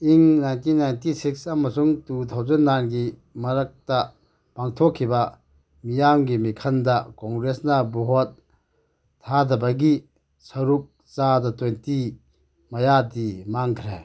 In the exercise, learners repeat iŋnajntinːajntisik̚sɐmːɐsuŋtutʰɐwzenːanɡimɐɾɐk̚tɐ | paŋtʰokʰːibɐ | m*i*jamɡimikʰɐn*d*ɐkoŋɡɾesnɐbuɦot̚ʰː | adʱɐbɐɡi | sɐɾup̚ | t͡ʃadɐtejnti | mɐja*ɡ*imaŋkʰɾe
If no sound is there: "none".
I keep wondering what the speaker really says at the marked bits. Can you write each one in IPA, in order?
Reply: i, d, d

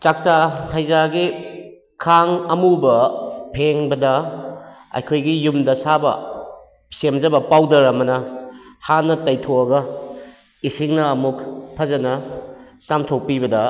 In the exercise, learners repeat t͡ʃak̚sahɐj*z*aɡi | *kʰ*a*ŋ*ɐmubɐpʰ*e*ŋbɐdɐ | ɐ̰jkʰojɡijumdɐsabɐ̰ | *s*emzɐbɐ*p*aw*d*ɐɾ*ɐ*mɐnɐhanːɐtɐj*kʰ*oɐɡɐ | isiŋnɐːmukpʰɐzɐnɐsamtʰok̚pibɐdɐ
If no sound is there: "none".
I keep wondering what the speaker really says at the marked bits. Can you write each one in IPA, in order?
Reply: z, kʰ, ŋ, e, s, p, d, ɐ, tʰ

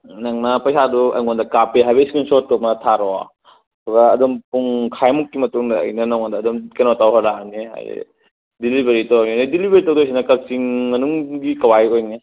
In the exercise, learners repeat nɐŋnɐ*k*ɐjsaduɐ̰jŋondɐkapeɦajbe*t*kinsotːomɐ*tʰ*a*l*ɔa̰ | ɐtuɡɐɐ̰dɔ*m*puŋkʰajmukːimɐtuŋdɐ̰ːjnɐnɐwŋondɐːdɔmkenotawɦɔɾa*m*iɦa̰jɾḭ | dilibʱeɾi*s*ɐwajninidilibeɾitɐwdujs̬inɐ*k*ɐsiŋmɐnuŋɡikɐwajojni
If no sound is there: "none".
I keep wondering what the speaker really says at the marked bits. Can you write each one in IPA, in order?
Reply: p, s, tʰ, ɾ, m, n, t, k

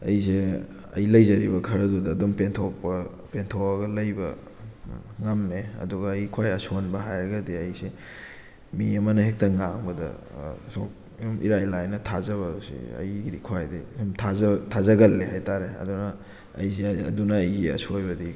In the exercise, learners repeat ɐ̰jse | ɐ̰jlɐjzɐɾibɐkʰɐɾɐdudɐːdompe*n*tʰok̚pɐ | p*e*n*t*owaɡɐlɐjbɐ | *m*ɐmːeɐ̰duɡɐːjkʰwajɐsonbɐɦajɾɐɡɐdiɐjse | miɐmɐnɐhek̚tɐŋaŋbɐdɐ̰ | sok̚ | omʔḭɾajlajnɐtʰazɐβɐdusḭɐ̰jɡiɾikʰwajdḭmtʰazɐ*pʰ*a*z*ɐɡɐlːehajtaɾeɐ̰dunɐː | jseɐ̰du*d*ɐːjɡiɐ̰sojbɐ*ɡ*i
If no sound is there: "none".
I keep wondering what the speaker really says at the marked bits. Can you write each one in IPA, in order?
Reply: n, e, tʰ, ŋ, tʰ, z, n, d

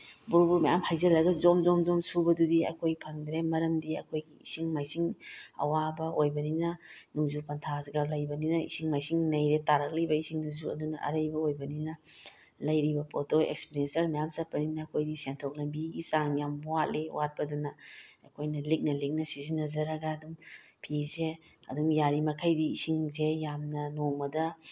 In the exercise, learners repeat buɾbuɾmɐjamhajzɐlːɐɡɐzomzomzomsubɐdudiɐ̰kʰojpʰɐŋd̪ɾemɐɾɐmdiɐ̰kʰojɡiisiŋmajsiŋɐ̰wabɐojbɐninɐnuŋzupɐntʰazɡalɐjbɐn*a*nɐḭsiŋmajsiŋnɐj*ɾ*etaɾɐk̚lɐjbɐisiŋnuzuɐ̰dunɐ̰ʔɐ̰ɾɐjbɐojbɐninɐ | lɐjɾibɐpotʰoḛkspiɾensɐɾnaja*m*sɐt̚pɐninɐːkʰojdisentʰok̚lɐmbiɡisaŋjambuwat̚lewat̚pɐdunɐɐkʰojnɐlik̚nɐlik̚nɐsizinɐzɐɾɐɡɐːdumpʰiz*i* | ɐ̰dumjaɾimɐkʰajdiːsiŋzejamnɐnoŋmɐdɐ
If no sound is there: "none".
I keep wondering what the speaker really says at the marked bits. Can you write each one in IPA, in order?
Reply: i, ɾ, m, e

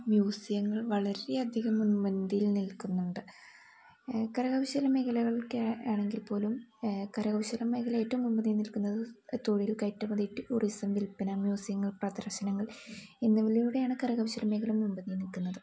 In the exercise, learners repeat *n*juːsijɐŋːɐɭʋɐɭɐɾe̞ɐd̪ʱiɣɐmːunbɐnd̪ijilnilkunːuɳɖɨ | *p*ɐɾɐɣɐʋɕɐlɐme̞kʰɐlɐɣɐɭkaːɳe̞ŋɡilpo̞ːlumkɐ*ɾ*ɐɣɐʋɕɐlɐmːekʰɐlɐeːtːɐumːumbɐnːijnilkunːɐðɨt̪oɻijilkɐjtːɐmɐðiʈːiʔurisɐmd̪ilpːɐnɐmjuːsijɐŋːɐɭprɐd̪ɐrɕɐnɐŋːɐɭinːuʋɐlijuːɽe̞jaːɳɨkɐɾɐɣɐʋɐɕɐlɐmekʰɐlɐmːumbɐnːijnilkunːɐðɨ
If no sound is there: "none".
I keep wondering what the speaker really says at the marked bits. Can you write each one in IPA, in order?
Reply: m, k, ɾ

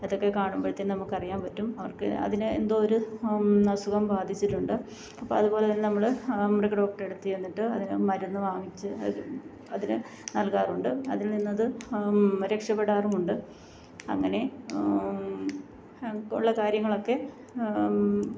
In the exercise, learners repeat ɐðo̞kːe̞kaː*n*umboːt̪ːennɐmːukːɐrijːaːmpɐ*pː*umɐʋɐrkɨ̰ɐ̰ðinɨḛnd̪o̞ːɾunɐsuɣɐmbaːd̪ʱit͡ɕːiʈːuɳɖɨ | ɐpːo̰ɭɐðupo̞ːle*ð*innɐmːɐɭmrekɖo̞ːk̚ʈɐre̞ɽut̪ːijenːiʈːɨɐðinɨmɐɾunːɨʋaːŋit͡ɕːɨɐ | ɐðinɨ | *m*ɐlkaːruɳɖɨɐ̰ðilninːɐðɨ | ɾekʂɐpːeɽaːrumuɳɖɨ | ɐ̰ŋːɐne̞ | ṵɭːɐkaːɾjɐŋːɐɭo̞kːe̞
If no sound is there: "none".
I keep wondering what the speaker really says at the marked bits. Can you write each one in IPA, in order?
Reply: ɳ, tː, ð, n

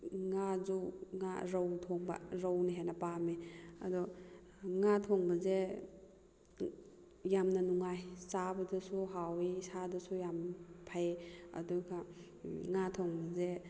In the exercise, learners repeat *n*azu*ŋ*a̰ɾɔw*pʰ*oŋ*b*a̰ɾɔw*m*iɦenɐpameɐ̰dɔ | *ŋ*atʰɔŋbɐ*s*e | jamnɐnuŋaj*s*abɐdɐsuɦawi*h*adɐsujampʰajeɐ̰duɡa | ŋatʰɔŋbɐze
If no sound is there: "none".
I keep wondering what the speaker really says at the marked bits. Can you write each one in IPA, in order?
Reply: ŋ, ŋ, tʰ, b, n, ŋ, z, s, s

